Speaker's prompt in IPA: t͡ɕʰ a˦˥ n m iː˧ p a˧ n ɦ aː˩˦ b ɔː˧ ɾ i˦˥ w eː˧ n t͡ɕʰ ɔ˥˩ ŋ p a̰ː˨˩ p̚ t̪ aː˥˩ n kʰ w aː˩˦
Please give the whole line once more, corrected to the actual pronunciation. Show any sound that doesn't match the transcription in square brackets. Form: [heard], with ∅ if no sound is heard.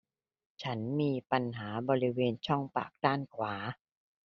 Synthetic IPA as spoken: t͡ɕʰ a˦˥ n m iː˧ p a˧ n ɦ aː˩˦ b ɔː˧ ɾ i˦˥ w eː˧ n t͡ɕʰ ɔ˥˩ ŋ p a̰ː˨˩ [k̚] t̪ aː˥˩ n kʰ w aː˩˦